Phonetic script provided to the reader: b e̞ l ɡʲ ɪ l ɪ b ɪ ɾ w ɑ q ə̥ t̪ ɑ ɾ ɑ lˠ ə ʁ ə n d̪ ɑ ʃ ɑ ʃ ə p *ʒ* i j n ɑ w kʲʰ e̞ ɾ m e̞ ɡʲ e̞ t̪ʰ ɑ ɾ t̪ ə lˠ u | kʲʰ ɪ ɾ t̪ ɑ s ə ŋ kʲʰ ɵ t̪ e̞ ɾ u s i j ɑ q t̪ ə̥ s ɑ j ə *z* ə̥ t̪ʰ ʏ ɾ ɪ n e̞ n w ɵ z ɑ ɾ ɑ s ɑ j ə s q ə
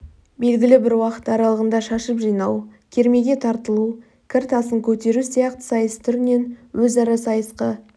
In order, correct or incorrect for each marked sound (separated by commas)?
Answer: correct, incorrect